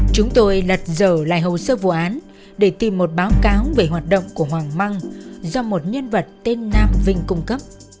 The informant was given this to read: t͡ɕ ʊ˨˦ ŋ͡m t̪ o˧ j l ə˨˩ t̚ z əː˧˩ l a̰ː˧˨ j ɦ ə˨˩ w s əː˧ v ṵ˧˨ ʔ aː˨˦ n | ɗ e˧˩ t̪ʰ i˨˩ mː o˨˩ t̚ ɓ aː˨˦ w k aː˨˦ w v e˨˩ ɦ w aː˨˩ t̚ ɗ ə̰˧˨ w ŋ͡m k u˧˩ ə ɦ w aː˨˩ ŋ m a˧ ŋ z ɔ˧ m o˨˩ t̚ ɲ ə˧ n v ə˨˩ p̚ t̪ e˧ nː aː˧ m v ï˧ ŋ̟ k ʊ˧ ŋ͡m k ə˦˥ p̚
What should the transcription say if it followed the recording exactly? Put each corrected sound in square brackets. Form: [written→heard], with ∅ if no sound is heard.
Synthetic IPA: t͡ɕ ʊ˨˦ ŋ͡m t̪ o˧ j l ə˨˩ t̚ z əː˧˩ l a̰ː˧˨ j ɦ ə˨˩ w s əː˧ v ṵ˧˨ ʔ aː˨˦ n | ɗ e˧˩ [t̪ʰ→t̪] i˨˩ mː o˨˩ t̚ ɓ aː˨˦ w k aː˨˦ w v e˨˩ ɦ w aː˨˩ t̚ ɗ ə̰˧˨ w ŋ͡m k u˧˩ ə ɦ w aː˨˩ ŋ m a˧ ŋ z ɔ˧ m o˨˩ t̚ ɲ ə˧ n v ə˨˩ [p̚→t̚] t̪ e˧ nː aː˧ m v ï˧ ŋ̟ k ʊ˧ ŋ͡m k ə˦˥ p̚

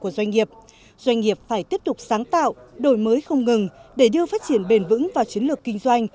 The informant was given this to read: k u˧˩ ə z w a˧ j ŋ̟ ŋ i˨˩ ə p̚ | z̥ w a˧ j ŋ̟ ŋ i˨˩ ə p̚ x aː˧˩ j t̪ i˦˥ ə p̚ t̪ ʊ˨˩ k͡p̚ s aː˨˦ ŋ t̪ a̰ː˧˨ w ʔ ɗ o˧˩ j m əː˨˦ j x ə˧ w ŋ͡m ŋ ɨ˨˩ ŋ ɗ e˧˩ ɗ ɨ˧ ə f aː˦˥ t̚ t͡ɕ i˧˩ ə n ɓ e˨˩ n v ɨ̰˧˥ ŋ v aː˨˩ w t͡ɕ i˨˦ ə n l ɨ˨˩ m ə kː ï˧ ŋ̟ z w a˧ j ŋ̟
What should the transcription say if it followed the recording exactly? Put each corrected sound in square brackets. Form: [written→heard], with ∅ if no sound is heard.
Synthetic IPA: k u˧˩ ə z w a˧ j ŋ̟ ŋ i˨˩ ə p̚ | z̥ w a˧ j ŋ̟ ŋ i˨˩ ə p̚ [x→f] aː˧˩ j t̪ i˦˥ ə p̚ t̪ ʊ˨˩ k͡p̚ s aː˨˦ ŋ t̪ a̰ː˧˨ w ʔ ɗ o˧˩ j m əː˨˦ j x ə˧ w ŋ͡m ŋ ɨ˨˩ ŋ ɗ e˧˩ ɗ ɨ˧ ə f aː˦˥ t̚ t͡ɕ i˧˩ ə n ɓ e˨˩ n v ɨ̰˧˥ ŋ v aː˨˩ w t͡ɕ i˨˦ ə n l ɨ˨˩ [m→∅] ə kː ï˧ ŋ̟ z w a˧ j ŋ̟

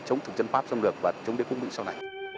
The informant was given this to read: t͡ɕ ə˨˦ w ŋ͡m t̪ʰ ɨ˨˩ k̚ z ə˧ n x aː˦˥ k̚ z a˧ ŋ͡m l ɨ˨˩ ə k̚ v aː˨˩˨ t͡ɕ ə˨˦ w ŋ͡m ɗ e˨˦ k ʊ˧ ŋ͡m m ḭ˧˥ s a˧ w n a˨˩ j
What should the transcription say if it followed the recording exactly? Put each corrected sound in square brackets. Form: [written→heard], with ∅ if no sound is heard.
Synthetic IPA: t͡ɕ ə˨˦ w ŋ͡m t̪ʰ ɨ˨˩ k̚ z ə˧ n [x→f] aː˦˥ [k̚→p̚] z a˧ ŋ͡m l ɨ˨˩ ə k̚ v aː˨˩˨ t͡ɕ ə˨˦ w ŋ͡m ɗ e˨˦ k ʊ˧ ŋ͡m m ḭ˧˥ s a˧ w n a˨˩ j

